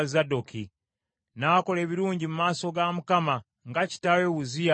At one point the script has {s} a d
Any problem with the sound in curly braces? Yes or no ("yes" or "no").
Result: yes